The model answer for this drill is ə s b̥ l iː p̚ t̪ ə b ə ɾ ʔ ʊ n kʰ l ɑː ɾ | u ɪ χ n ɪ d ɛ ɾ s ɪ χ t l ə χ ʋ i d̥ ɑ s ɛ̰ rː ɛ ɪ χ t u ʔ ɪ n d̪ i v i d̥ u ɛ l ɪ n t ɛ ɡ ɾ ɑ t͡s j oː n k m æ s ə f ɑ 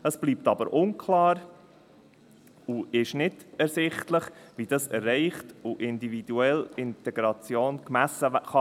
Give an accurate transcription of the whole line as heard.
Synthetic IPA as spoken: ə s b̥ l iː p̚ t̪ ɑ b ə ɾ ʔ ʊ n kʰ l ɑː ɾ | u ɪ ʃ n ɪ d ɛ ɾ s ɪ χ t l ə χ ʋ i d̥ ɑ s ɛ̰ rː ɛ ɪ χ t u ʔ ɪ n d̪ i v i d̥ u ɛ l ɪ n t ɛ ɡ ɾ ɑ t͡s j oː n k m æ s ə χ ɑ